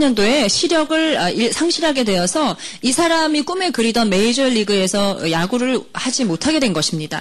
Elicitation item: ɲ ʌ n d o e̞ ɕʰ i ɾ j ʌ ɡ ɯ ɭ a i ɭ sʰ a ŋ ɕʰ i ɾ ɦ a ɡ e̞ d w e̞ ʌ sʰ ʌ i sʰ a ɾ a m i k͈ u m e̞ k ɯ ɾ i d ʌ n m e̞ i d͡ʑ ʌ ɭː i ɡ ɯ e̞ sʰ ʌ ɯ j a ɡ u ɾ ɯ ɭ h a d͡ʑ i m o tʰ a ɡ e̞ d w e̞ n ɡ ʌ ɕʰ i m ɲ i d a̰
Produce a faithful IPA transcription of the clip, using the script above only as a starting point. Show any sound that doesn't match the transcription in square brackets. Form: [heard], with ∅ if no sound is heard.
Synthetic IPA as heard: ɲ ʌ n d o e̞ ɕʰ i ɾ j ʌ ɡ ɯ ɭ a i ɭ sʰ a ŋ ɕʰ i ɾ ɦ a ɡ e̞ d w e̞ ʌ sʰ ʌ i sʰ a ɾ a m i k͈ u m e̞ k ɯ ɾ i d ʌ n m e̞ i d͡ʑ ʌ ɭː i ɡ ɯ e̞ sʰ ʌ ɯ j a ɡ u ɾ ɯ ɭ h a d͡ʑ i m o tʰ a ɡ e̞ d w e̞ n ɡ ʌ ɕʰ i m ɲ i d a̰